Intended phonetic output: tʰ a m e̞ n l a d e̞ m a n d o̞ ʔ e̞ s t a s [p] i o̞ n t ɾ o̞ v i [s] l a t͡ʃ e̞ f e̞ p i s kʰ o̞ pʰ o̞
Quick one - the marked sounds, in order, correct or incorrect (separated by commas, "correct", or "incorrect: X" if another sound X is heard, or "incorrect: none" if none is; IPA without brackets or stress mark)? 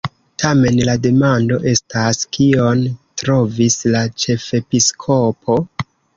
incorrect: k, correct